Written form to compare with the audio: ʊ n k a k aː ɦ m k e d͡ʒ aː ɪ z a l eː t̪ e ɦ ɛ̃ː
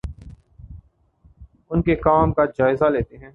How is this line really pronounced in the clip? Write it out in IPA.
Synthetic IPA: ʊ n k e k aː m k a d͡ʒ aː ɪ z a l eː t̪ e ɦ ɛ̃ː